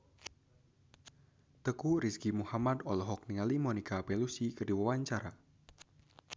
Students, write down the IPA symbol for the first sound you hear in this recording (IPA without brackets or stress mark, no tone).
t̪